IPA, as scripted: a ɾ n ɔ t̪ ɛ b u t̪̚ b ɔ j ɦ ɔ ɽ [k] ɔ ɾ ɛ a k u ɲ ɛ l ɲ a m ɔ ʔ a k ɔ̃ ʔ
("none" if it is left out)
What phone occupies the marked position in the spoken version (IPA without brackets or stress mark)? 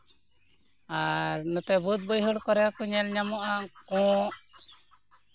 k